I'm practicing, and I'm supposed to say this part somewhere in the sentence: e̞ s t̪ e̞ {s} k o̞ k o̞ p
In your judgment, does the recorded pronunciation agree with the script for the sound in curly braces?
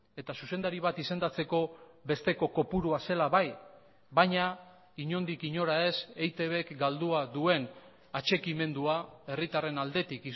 no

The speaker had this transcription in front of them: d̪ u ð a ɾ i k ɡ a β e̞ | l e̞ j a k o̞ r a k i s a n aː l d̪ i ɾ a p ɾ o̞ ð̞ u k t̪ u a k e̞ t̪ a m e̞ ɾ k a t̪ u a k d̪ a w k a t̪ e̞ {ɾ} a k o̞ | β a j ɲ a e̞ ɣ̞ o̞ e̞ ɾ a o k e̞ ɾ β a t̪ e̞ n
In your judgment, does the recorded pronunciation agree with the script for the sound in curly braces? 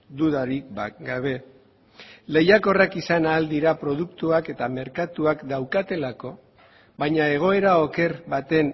no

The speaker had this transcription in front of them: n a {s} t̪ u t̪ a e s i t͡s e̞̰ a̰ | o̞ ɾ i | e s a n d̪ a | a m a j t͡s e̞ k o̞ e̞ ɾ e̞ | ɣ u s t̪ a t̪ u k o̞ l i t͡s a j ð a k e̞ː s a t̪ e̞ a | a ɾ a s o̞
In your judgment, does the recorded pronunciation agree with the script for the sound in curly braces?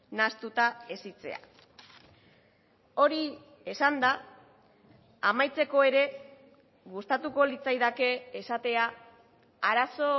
yes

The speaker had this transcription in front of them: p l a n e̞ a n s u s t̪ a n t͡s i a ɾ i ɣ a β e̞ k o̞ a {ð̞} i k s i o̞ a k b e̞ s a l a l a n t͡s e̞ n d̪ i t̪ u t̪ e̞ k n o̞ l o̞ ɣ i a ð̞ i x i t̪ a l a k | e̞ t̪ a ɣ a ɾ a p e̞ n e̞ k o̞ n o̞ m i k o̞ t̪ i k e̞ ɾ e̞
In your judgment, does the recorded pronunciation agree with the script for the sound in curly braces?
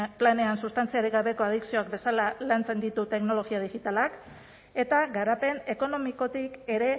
yes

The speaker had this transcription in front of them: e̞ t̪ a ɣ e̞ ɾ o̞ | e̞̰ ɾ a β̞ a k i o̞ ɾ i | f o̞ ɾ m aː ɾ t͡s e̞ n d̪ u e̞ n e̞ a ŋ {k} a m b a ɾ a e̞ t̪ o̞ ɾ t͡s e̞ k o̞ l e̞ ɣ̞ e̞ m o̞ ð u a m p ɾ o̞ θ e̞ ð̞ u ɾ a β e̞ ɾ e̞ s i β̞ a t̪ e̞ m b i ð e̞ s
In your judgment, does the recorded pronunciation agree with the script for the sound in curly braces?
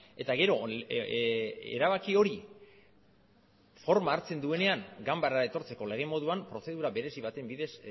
no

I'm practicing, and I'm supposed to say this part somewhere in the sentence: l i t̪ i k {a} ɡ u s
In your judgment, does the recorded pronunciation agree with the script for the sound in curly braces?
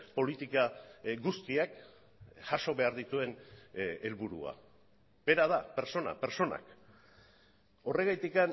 yes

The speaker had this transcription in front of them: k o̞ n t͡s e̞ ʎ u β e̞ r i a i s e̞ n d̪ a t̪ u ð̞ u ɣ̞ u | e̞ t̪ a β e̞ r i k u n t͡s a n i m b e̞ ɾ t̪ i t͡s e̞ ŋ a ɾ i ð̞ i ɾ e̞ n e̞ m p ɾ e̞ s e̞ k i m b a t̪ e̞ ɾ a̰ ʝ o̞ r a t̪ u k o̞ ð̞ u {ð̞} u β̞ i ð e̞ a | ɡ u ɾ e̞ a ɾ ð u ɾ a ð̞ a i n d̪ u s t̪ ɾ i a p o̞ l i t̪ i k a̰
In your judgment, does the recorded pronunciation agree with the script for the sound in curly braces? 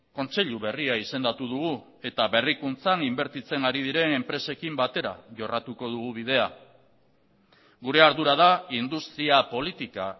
no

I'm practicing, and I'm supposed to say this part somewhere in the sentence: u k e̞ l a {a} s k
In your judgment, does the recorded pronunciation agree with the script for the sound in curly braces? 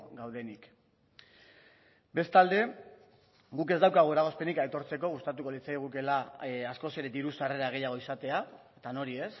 yes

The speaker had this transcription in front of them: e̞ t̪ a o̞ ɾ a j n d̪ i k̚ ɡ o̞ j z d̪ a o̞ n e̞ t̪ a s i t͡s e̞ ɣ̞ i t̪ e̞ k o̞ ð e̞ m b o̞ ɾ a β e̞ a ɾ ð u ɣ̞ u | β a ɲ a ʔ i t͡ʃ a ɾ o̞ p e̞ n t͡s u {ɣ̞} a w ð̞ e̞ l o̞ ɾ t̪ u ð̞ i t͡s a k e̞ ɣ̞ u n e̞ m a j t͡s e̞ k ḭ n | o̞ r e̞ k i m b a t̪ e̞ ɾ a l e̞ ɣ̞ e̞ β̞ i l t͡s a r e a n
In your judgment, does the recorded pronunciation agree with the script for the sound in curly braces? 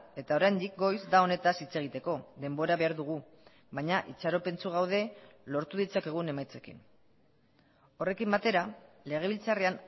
yes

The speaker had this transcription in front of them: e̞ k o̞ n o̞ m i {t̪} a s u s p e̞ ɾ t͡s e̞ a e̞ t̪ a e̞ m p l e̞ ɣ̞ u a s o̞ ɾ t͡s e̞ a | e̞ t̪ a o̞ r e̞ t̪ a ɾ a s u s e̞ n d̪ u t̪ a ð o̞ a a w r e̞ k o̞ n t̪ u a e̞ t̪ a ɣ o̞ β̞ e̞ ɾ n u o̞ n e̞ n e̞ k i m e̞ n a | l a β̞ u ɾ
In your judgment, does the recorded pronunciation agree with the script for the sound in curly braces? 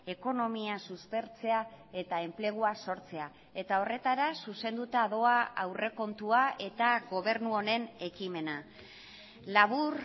no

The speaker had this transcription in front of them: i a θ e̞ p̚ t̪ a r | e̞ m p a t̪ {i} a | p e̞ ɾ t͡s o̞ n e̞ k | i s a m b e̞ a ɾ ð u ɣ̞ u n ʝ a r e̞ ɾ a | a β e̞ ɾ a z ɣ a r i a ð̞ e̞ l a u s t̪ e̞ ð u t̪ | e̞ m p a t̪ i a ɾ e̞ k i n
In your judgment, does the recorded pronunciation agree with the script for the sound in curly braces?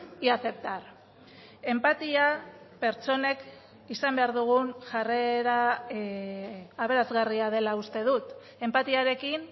yes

